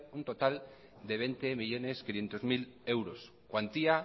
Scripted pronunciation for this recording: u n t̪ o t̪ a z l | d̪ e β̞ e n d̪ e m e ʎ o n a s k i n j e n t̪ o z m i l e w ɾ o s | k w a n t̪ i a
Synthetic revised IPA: u n t̪ o t̪ a l | d̪ e β̞ e n t̪ e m i ʎ o n e s k i n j e n t̪ o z m i l e w ɾ o s | k w a n t̪ i a